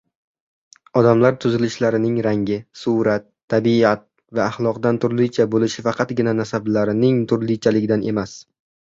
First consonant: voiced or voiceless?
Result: voiced